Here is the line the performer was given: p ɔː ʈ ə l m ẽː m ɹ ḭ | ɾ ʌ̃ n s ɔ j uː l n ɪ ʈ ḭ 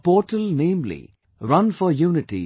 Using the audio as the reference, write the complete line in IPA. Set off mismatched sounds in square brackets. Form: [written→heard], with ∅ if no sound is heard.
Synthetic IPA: p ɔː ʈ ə l [m→n] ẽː m [ɹ→l] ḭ | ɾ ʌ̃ n [s→f] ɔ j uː [l→∅] n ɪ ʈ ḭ